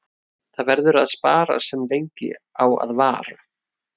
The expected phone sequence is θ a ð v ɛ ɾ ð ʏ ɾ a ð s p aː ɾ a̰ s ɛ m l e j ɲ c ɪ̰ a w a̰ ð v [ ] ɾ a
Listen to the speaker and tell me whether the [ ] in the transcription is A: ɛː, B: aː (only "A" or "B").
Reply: B